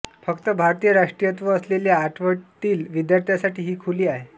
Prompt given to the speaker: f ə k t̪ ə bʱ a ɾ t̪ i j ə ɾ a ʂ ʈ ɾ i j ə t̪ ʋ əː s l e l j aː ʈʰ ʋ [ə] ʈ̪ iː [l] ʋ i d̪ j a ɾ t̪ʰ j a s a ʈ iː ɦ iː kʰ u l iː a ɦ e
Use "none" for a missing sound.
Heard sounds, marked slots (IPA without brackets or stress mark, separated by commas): ə, l